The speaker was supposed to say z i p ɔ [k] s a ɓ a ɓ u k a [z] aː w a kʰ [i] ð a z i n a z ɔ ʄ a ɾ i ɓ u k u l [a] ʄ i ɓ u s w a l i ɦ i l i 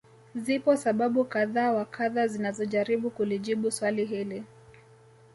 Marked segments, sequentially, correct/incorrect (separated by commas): incorrect, incorrect, incorrect, incorrect